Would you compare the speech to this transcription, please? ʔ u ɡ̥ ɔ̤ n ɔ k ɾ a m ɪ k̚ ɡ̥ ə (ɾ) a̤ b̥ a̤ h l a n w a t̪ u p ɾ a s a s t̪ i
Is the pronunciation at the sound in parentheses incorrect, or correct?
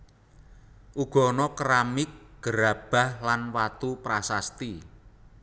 correct